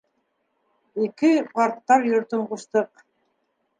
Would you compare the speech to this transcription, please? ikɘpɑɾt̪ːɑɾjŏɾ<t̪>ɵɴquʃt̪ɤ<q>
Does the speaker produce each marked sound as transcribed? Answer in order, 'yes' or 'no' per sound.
yes, yes

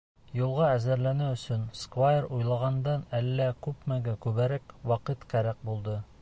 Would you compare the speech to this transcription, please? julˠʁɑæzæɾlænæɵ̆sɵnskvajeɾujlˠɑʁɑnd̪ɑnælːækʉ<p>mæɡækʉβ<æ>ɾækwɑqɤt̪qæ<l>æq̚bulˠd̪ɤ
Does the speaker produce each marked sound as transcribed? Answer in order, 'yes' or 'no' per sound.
yes, yes, no

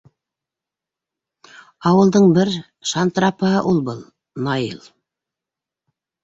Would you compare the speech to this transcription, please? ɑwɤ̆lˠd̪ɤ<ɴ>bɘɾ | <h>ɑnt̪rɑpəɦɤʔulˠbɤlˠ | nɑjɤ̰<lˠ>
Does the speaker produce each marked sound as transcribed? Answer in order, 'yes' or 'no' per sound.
yes, no, yes

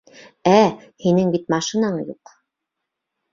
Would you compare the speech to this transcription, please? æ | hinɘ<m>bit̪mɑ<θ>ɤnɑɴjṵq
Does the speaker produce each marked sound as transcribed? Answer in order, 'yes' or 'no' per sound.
no, no

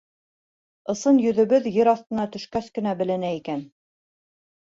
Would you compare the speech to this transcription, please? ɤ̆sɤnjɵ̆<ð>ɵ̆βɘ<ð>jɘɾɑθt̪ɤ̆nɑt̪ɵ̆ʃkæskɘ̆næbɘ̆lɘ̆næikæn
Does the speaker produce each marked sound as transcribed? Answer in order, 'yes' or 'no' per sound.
yes, yes

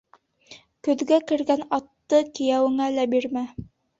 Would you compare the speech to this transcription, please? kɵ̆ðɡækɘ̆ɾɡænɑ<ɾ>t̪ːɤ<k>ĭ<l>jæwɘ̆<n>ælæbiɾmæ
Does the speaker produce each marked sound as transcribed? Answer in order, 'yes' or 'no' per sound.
no, yes, no, no

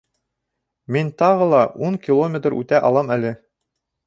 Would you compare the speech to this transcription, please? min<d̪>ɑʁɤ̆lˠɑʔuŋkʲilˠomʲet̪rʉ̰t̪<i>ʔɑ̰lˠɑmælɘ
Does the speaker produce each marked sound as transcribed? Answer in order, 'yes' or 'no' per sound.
no, no

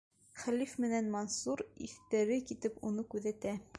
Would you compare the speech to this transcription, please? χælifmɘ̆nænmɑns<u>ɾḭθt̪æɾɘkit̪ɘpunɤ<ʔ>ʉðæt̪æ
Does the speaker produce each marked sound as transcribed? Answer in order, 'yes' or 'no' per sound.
yes, no

